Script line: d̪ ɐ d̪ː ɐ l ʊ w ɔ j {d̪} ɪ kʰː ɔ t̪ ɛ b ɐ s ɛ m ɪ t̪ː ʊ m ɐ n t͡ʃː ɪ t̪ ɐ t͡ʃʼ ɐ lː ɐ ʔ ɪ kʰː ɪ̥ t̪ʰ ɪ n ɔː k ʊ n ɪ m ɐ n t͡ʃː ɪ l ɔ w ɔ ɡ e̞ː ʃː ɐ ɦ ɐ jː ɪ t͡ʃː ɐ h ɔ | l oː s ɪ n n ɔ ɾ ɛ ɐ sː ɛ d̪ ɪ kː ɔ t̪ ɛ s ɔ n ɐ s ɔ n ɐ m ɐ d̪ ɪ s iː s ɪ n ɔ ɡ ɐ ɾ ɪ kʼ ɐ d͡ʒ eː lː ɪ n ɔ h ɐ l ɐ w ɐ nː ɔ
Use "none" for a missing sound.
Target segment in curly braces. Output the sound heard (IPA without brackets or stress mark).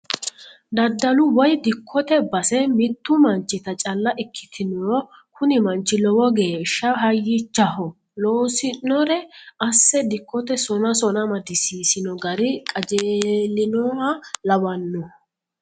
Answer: d̪